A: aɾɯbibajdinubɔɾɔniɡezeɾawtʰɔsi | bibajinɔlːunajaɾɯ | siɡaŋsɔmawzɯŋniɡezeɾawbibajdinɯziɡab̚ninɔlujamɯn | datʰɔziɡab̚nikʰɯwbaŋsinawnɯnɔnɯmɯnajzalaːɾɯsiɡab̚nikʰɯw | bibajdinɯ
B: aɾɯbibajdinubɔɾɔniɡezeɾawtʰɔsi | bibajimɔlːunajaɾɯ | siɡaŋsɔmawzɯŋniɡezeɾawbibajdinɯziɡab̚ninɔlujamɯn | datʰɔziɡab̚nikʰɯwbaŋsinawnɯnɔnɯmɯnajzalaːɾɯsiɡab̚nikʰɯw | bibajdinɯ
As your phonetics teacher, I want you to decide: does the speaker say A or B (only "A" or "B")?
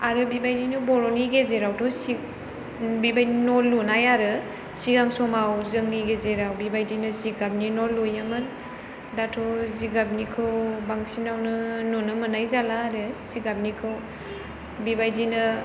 A